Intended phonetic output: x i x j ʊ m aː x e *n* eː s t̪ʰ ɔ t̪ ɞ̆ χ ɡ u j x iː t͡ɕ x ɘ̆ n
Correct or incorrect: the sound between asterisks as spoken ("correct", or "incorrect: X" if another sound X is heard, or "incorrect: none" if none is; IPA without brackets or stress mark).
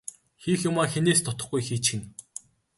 correct